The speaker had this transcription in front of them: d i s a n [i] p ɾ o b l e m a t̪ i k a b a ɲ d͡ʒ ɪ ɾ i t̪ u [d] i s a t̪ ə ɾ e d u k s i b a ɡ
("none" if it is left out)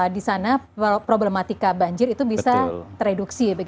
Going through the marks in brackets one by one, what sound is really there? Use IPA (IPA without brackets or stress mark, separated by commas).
a, b